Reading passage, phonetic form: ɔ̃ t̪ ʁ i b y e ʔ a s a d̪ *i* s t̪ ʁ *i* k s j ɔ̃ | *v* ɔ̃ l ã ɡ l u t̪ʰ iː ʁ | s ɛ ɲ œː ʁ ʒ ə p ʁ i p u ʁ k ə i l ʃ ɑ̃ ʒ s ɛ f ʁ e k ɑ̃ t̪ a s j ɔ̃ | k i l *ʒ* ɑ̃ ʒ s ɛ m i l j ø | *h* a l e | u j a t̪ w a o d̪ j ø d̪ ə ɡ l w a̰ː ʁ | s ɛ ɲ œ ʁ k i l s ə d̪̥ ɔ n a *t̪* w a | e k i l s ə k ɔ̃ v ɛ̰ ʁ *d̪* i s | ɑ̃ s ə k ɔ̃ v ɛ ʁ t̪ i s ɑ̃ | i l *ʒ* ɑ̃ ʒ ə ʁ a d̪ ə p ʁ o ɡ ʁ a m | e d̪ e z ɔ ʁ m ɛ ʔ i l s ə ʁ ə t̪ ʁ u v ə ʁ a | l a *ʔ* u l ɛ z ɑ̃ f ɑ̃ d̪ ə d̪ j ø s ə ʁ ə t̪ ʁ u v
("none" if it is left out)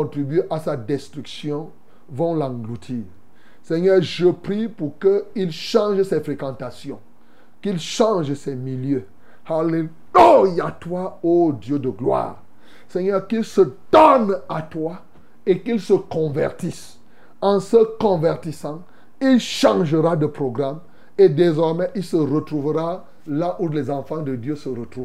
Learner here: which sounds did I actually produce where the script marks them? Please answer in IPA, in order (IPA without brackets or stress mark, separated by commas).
ɛ, y, v, ʃ, h, t̪, t̪, ʃ, ʔ